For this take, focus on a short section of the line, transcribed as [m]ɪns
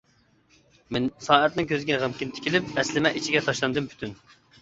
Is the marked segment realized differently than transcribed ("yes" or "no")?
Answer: no